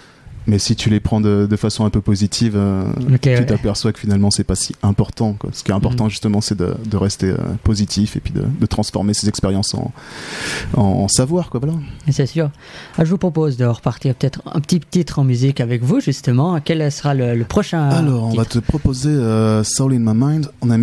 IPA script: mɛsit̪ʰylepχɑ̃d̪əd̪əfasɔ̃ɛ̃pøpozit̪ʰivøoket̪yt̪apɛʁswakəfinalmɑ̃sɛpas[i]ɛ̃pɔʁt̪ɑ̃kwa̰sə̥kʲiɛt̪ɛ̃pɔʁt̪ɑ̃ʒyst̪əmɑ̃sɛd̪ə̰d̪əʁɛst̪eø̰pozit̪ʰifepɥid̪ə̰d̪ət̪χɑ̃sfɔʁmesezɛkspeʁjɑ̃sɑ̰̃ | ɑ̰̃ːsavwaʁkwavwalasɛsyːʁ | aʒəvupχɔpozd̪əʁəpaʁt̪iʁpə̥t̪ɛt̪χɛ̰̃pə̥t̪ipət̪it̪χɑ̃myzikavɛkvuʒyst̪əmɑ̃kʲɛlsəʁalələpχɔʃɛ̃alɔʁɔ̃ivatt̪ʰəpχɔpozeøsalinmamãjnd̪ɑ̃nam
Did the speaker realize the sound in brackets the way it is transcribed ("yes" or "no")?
yes